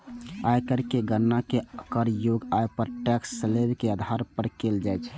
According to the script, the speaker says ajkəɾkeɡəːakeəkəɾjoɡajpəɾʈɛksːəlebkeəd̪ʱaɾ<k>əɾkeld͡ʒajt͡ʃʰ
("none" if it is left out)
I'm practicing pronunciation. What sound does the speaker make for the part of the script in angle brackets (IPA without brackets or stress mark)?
p